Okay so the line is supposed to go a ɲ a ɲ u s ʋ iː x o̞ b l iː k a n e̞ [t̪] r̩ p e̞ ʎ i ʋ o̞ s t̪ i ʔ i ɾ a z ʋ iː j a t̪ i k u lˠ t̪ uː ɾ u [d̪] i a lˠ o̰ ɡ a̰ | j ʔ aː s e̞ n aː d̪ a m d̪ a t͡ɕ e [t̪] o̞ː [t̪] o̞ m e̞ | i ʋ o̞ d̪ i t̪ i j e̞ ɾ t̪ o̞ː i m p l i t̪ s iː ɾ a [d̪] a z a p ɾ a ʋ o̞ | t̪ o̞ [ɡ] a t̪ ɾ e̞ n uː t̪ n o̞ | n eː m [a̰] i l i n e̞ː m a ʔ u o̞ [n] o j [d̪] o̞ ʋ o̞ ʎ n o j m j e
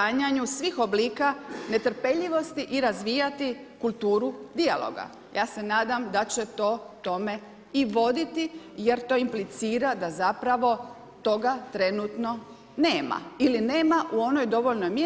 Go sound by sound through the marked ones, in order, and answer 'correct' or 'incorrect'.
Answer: correct, correct, correct, correct, correct, correct, correct, correct, correct

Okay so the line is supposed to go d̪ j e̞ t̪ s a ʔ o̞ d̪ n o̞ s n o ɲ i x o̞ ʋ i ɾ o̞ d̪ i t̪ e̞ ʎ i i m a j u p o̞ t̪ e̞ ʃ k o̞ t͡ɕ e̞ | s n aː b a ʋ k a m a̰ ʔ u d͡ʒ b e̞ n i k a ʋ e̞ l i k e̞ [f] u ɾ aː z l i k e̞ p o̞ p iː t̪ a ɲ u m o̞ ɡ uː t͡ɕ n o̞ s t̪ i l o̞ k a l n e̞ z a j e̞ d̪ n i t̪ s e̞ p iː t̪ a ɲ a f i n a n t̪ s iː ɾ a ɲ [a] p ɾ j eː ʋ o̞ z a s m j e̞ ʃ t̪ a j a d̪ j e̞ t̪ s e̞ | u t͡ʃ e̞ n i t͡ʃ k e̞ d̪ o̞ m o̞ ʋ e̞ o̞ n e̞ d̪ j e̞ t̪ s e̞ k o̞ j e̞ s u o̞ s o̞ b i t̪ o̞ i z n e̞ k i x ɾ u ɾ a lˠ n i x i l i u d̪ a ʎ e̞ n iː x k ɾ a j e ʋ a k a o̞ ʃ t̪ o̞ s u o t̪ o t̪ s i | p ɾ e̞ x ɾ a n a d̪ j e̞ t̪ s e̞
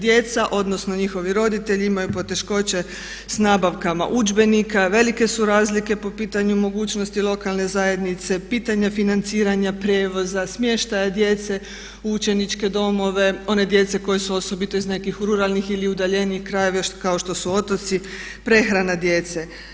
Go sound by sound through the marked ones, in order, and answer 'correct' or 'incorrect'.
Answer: incorrect: s, correct

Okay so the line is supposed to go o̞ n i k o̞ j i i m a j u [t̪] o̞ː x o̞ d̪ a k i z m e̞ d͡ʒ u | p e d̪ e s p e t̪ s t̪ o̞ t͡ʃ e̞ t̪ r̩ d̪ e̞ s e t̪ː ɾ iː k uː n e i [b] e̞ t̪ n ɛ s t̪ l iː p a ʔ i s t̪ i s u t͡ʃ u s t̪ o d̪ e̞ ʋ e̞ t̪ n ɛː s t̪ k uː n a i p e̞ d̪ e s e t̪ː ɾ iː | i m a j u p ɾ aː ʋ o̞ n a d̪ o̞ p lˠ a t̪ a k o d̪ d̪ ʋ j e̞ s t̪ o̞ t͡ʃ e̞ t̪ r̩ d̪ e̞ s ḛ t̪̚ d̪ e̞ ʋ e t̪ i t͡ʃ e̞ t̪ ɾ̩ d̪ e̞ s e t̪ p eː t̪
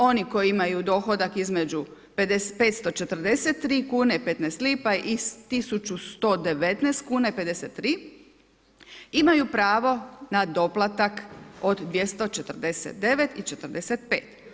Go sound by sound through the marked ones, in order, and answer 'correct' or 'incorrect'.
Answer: incorrect: d̪, incorrect: p

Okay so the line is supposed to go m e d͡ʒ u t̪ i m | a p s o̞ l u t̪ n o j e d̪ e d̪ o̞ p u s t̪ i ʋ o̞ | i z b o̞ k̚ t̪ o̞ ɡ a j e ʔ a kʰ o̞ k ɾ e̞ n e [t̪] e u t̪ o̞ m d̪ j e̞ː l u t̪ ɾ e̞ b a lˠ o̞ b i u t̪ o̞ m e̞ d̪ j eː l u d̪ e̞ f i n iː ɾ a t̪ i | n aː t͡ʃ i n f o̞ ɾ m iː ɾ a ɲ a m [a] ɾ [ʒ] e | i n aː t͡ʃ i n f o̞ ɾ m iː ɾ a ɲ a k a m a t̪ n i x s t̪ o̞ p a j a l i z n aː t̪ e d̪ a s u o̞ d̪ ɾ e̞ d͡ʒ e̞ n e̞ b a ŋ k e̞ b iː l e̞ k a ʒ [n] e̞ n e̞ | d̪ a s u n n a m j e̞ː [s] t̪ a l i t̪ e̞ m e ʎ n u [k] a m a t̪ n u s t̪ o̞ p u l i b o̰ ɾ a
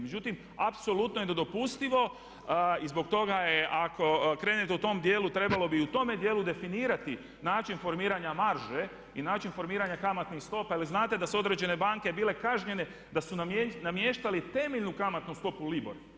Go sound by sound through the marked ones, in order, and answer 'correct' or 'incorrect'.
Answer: correct, correct, correct, incorrect: ɲ, incorrect: ʃ, correct

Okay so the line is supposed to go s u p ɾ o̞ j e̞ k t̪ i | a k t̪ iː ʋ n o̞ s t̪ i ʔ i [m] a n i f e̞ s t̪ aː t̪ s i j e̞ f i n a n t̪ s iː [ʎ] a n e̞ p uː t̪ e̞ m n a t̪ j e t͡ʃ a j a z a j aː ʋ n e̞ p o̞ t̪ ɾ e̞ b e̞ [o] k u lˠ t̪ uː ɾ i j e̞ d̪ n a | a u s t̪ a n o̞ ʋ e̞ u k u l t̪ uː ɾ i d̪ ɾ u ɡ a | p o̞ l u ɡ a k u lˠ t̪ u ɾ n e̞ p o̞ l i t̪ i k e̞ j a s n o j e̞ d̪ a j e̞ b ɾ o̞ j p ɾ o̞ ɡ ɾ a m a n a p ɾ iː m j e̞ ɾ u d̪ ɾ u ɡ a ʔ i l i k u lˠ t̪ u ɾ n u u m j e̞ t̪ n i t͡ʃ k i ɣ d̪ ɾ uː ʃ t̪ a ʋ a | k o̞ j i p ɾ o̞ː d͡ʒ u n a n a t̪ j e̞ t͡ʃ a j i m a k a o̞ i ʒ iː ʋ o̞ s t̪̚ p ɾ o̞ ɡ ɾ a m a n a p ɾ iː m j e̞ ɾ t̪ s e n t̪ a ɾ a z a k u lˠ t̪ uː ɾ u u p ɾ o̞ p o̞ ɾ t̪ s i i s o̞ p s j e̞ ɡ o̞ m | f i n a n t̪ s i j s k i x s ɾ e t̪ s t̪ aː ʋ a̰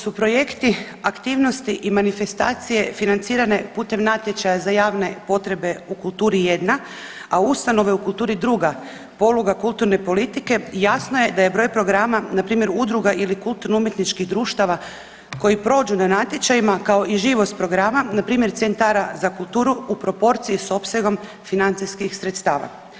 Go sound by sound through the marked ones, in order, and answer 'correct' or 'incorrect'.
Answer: correct, incorrect: ɾ, incorrect: u

